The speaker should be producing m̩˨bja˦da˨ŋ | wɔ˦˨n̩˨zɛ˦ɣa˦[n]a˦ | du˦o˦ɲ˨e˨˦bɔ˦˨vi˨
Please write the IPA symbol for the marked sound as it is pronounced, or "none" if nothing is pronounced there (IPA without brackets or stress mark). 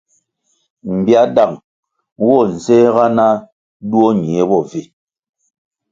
n